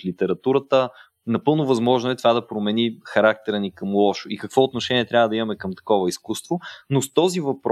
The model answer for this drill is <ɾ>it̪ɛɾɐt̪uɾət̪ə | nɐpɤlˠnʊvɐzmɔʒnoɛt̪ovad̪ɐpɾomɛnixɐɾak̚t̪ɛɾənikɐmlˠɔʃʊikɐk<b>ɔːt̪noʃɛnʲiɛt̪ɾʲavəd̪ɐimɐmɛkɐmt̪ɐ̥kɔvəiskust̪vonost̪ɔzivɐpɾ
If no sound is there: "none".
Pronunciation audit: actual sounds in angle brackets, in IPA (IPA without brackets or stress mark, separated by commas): l, v